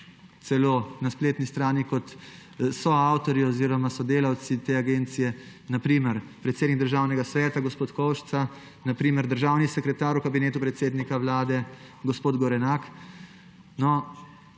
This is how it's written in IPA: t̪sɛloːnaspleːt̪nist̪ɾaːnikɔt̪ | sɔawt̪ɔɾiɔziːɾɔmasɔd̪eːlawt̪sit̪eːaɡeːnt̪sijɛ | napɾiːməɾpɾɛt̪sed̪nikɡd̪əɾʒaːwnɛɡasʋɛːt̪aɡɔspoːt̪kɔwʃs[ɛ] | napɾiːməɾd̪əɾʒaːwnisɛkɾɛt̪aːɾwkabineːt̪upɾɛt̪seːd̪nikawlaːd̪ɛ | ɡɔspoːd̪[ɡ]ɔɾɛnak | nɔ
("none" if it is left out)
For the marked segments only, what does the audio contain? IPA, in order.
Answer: a, ɡ

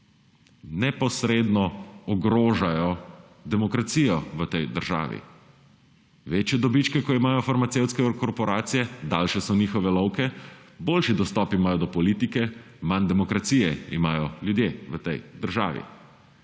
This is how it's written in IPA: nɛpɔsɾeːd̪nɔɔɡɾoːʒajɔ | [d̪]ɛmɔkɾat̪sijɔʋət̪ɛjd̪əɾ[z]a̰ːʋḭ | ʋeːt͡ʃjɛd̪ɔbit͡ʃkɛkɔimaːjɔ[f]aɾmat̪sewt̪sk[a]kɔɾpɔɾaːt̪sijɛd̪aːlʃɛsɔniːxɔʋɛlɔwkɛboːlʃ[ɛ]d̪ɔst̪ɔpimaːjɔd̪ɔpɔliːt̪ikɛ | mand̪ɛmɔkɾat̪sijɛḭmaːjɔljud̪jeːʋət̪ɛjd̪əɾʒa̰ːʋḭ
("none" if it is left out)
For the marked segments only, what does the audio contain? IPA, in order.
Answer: d̪, ʒ, f, ɛ, i

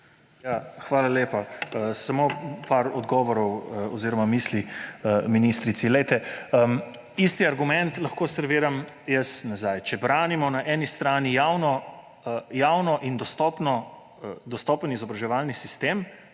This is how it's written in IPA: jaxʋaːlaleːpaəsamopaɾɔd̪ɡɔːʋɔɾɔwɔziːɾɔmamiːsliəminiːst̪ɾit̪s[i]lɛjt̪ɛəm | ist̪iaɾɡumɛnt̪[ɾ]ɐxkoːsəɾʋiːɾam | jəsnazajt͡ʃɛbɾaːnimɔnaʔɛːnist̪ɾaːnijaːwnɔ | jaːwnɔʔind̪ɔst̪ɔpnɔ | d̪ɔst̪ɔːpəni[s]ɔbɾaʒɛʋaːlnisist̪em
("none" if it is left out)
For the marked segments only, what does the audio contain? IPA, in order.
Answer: i, l, z

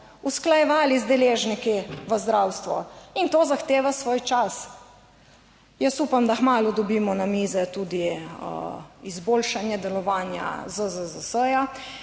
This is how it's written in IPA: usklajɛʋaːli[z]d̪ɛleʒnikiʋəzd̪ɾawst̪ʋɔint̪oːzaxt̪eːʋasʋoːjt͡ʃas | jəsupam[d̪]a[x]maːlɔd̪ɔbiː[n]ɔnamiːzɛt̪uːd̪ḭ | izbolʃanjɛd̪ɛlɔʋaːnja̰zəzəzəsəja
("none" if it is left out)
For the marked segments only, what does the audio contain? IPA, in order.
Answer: z, d̪, x, m

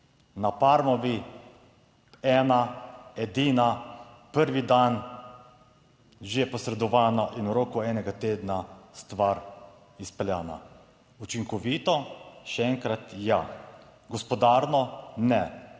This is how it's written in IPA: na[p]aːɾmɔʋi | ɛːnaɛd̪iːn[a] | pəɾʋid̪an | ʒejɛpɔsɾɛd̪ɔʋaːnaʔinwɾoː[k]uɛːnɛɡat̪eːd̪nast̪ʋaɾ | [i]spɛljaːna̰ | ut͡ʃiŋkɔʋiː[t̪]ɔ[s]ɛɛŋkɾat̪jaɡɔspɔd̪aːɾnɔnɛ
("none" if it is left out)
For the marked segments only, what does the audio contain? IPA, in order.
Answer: p, a, k, i, t̪, ʃ

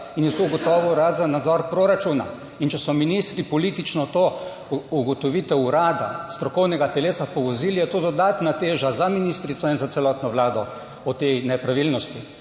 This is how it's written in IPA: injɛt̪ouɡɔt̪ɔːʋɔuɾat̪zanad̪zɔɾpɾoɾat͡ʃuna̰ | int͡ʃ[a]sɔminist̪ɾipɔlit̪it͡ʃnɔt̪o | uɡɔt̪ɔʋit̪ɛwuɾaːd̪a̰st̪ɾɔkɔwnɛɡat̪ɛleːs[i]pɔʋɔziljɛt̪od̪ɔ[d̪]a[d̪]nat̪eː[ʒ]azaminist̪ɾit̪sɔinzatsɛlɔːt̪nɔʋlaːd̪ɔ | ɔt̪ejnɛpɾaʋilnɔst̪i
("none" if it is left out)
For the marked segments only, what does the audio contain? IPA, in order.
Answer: ɛ, a, d̪, t̪, ʒ

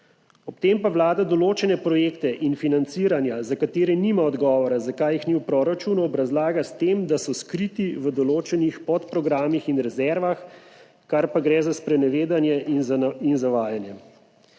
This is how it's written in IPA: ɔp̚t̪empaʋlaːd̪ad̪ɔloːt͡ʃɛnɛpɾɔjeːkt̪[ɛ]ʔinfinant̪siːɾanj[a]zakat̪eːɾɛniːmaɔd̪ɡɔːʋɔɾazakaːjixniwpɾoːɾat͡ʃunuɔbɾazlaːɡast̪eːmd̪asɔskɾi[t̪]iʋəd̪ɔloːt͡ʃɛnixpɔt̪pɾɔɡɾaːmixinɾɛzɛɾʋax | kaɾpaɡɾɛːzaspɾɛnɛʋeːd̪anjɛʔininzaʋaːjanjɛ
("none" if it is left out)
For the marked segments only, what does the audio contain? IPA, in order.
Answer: ɛ, a, t̪

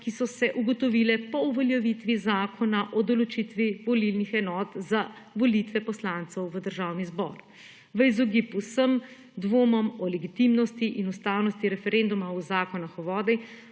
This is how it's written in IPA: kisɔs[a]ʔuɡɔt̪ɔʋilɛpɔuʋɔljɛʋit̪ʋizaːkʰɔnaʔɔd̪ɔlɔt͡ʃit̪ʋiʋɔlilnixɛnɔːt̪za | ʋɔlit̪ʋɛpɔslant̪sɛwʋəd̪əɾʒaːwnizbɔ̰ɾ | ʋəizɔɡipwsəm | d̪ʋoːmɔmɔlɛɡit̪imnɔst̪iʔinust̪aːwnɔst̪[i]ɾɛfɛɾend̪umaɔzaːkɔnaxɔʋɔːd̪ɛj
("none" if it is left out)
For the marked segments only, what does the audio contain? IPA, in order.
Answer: ɛ, i

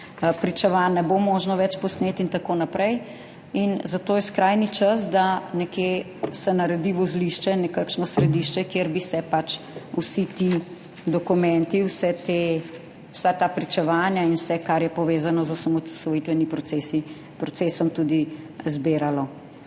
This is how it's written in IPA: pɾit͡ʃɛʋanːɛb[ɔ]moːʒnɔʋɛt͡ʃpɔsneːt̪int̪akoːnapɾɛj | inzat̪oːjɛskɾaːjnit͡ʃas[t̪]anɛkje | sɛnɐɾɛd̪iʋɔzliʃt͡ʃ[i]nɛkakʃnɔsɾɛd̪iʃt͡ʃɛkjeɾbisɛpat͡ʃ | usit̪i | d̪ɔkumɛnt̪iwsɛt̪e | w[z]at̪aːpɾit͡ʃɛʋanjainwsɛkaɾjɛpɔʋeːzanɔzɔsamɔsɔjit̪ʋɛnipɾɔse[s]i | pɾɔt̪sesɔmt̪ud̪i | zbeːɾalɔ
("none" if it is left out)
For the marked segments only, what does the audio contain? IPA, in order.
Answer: o, d̪, ɛ, s, s

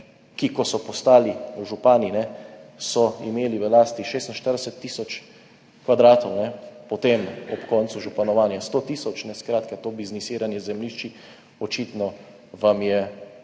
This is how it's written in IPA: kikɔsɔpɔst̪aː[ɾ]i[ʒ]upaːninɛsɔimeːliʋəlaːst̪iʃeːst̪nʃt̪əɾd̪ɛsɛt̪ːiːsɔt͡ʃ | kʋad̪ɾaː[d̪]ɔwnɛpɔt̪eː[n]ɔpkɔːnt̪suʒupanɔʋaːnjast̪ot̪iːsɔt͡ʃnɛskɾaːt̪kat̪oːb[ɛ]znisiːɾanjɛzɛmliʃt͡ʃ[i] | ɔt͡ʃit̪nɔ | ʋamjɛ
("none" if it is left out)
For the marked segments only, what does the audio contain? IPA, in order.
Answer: l, ʒ, t̪, m, i, i

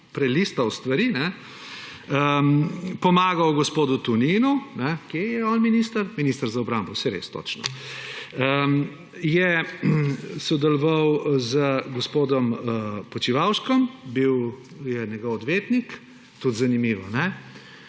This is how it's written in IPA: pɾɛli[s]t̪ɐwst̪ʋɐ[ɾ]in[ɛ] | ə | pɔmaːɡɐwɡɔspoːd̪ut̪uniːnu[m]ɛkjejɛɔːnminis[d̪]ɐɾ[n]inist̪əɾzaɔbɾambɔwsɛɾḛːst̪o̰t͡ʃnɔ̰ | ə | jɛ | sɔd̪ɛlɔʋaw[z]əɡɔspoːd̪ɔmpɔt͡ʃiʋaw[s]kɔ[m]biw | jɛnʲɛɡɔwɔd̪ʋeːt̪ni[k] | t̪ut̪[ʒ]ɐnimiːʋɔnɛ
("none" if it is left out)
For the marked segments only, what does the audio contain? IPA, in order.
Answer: s, ɾ, ɛ, n, t̪, m, z, ʃ, m, k, z

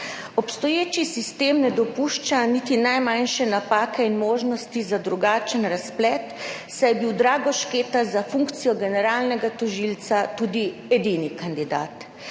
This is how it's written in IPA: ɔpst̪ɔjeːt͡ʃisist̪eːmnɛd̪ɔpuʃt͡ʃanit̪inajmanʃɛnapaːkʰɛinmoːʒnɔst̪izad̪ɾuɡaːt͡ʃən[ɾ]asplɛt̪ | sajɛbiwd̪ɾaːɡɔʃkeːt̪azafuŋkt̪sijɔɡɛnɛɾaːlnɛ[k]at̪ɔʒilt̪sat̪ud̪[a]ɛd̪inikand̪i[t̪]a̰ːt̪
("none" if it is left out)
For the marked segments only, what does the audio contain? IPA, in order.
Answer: ɾ, ɡ, i, d̪

